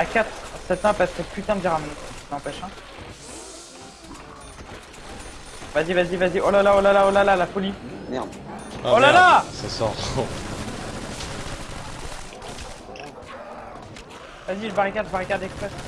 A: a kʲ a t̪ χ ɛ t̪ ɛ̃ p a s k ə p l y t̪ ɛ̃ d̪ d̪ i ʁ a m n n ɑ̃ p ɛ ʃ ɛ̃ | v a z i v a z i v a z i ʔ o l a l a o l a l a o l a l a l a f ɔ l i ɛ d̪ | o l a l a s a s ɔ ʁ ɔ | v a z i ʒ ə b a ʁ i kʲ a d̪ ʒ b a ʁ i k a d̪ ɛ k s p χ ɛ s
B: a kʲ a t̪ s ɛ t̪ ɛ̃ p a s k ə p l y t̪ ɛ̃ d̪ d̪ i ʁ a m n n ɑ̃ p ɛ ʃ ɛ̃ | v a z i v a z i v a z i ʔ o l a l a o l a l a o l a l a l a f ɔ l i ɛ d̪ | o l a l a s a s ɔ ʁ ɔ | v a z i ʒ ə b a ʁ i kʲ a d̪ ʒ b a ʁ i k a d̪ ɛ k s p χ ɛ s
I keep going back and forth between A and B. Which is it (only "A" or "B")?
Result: B